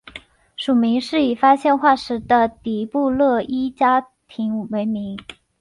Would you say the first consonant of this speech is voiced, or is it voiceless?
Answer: voiceless